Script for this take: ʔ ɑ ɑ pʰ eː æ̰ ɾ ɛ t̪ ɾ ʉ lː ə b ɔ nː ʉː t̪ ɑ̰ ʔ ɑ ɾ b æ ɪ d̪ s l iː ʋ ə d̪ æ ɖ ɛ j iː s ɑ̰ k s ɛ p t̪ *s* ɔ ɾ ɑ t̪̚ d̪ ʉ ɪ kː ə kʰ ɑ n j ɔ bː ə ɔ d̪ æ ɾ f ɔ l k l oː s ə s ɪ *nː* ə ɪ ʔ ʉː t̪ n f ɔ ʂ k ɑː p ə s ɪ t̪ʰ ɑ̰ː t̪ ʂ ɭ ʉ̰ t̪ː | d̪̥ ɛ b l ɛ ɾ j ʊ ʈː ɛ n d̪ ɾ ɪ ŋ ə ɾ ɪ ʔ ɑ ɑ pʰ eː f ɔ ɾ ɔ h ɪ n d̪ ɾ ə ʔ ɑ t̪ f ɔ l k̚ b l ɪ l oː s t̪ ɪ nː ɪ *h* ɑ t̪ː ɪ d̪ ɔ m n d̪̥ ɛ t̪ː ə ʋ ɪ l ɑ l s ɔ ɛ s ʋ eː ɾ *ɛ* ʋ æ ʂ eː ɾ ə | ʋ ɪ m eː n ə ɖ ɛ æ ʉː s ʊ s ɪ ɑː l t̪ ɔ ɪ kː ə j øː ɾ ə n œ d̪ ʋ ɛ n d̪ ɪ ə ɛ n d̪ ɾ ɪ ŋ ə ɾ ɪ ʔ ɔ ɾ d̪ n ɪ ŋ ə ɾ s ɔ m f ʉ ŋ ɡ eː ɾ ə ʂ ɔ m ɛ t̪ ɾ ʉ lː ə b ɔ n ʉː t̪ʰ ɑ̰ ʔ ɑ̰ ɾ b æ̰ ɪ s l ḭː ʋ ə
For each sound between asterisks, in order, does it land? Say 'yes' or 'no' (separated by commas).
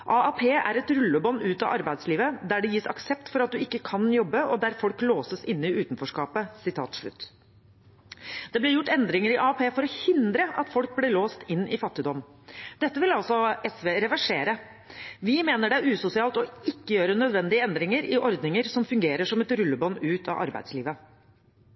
no, yes, no, yes